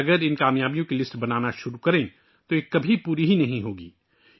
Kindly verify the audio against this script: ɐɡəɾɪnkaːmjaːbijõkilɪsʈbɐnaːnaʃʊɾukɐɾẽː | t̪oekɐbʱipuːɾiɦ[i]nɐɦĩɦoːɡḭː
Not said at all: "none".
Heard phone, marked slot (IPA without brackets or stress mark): i